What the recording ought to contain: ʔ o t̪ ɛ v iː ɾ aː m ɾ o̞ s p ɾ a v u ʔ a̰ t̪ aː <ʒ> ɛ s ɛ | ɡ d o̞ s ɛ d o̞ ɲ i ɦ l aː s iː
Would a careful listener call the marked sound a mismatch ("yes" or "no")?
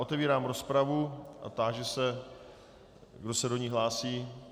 no